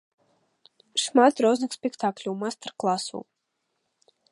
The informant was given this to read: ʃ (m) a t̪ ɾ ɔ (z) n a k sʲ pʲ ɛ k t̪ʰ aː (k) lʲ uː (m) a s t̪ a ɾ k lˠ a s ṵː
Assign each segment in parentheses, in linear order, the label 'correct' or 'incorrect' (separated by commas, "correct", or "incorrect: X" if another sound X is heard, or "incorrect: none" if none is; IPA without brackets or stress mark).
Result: correct, correct, correct, correct